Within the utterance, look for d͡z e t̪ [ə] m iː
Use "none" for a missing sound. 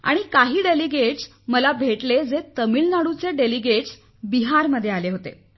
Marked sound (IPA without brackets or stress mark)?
ə